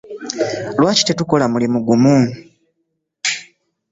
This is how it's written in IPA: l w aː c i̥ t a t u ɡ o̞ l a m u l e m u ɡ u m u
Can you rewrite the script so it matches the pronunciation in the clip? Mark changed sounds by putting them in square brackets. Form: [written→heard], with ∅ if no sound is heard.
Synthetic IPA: l w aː c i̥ t [a→e] t u [ɡ→k] o̞ l a m u l [e→i] m u ɡ u m u

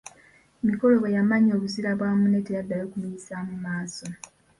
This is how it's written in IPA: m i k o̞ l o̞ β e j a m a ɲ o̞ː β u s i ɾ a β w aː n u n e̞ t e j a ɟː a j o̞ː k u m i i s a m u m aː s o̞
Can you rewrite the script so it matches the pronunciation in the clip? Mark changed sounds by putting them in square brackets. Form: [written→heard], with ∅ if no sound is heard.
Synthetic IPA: m i k o̞ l o̞ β e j a m a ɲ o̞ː β u [s→z] i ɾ a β w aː [n→m] u n e̞ t e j a [ɟː→dː] a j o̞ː k u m i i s a m u m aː s o̞

